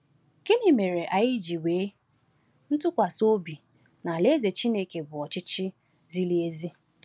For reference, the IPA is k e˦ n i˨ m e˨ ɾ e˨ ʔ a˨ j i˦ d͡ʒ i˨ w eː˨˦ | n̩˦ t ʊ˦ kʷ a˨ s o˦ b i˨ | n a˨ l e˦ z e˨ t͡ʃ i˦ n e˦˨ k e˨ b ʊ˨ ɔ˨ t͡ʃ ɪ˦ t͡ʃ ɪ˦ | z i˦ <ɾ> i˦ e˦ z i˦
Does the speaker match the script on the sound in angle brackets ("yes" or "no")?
no